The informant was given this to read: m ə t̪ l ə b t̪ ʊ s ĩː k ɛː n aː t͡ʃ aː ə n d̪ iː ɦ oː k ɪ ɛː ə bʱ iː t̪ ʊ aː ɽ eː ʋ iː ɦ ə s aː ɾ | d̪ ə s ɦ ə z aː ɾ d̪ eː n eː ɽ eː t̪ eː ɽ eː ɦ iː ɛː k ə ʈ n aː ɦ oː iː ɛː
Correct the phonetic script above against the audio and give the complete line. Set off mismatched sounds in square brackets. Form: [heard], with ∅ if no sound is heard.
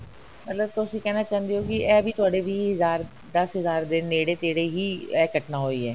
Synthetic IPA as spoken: m ə t̪ l ə b t̪ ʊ s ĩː k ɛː n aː t͡ʃ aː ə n d̪ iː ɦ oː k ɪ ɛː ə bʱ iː t̪ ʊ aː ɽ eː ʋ iː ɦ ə [z] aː ɾ | d̪ ə s ɦ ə z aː ɾ d̪ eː n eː ɽ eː t̪ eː ɽ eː ɦ iː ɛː k ə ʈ n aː ɦ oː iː ɛː